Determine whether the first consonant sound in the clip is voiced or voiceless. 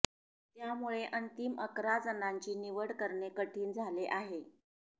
voiceless